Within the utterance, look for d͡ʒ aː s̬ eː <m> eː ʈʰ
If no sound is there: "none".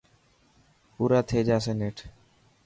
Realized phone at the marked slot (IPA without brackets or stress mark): n